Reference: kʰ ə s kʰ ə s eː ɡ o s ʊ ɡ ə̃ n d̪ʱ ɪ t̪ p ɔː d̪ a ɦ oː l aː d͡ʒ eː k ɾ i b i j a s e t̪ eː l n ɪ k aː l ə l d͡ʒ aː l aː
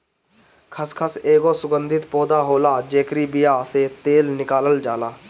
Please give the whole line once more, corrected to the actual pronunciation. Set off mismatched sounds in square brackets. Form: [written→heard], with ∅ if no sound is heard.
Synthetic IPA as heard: kʰ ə s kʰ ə s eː ɡ o s ʊ ɡ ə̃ n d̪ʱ ɪ t̪ p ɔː d̪ a ɦ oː l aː d͡ʒ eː k ɾ i b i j a s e t̪ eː l n ɪ k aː l ə l d͡ʒ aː l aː